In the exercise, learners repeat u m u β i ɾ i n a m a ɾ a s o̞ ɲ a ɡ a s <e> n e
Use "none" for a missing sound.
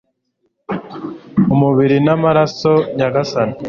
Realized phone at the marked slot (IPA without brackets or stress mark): a